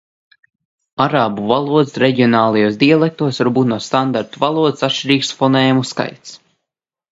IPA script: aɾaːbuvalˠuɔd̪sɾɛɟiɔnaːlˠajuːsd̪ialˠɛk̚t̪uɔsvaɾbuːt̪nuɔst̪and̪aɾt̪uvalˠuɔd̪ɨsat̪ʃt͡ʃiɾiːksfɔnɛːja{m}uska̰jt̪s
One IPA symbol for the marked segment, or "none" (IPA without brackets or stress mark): m